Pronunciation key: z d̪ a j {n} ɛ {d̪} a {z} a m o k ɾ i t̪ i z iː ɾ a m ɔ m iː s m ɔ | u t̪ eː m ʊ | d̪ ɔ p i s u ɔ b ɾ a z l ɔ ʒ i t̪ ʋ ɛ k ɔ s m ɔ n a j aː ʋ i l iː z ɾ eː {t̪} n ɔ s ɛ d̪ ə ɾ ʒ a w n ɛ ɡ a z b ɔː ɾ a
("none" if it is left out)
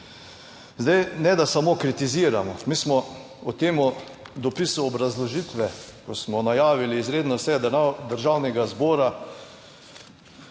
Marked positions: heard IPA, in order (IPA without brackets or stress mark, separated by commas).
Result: n, d̪, s, d̪